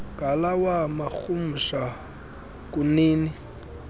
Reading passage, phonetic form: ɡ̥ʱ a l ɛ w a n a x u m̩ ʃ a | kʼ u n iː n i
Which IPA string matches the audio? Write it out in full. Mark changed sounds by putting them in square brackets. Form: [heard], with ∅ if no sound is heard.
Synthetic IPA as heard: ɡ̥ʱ a l [a] w a [m] a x u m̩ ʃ a | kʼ u n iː n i